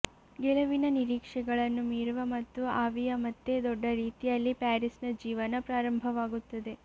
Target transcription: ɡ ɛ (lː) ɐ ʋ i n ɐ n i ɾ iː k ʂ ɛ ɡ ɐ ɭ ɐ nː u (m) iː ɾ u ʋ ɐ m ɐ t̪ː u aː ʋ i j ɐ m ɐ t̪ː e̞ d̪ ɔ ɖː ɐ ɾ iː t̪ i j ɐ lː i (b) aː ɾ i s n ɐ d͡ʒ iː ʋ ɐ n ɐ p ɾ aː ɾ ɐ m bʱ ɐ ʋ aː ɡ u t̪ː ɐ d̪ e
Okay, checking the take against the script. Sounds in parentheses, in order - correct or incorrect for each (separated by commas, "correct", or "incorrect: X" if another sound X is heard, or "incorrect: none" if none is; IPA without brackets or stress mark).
incorrect: l, correct, incorrect: p